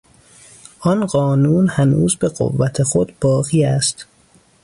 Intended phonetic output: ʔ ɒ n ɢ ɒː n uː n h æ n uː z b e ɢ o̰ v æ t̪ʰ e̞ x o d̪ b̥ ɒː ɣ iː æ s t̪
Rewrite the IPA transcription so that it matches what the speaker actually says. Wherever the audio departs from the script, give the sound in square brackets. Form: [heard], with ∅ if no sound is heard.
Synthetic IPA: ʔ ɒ n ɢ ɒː n uː n h æ n uː z b e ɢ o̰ [vː] æ t̪ʰ e̞ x o d̪ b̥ ɒː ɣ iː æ s t̪